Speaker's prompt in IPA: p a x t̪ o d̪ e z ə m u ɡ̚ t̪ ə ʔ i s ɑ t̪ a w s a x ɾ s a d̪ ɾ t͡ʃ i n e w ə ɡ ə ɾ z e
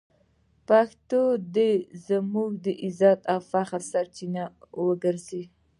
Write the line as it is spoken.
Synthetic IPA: p a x t̪ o d̪ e z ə m u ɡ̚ d̪ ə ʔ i z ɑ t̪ a w f a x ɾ s a ɾ t͡ʃ i n a w ə ɡ ə ɾ z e